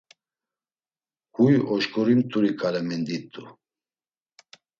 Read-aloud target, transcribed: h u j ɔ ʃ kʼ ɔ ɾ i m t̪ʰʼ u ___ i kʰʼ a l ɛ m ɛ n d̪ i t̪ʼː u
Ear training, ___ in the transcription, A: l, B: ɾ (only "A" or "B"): B